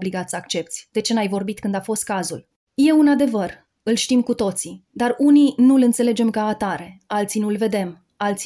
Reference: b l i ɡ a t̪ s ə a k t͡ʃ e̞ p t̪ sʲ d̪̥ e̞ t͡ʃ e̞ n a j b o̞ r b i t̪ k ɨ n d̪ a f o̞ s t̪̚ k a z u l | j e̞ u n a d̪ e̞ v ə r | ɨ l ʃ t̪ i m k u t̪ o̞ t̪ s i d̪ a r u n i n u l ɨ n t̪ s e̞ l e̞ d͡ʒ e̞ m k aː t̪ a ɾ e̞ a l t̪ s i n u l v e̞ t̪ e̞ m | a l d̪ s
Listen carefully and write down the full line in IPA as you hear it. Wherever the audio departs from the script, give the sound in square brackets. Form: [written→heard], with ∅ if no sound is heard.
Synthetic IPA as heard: b l i ɡ a t̪ s ə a k t͡ʃ e̞ p t̪ sʲ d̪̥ e̞ t͡ʃ e̞ n a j [b→v] o̞ r b i t̪ k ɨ n d̪ a f o̞ s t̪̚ k a z u l | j e̞ u n a d̪ e̞ v ə r | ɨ l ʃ t̪ i m k u t̪ o̞ t̪ s i d̪ a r u n i n u l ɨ n t̪ s e̞ l e̞ d͡ʒ e̞ m k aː t̪ a ɾ e̞ a l t̪ s i n u l v e̞ [t̪→d̪] e̞ m | a l [d̪→t̪] s